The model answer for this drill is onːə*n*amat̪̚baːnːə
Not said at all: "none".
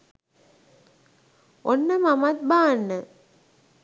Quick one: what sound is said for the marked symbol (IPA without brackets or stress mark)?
m